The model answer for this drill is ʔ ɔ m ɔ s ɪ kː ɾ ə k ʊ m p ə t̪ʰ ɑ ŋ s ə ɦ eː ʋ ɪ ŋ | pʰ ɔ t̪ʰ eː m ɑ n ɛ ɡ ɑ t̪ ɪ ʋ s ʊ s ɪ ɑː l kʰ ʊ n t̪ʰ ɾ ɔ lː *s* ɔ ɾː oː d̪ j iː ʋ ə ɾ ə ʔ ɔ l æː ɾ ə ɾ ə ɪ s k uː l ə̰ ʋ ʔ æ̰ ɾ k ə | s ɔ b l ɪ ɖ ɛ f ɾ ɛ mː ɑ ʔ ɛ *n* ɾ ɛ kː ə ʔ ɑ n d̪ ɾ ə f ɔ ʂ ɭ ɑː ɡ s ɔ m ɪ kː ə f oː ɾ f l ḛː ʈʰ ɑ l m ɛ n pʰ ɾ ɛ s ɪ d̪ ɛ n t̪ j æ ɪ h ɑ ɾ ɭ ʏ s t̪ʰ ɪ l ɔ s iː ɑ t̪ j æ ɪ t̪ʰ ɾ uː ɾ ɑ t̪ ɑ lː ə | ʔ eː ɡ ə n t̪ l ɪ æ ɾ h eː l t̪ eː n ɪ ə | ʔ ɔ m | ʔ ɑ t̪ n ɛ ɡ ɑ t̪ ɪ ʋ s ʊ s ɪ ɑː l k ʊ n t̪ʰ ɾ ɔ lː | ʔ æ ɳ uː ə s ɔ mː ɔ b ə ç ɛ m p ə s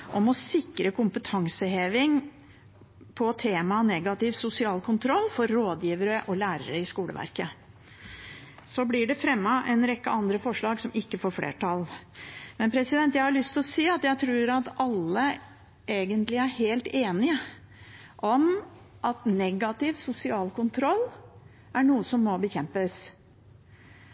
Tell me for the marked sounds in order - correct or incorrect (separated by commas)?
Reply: incorrect, correct